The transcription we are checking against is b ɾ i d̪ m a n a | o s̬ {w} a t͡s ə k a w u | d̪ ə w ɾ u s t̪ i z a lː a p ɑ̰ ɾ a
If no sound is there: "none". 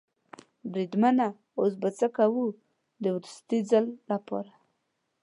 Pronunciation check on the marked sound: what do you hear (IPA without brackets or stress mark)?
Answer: b